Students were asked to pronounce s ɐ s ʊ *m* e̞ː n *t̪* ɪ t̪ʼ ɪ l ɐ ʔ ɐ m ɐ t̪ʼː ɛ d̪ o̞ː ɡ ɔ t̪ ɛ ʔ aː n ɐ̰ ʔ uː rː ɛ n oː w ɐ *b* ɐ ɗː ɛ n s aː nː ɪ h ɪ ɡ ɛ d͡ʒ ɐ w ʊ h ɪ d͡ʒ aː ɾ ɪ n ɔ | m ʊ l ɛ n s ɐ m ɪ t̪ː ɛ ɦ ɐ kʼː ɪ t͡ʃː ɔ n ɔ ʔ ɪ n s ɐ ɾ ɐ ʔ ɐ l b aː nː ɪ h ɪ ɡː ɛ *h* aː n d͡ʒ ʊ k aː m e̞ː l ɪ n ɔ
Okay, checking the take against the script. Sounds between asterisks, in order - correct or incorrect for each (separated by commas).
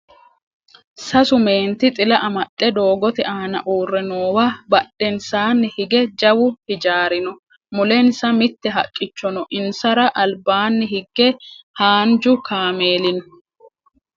correct, correct, correct, correct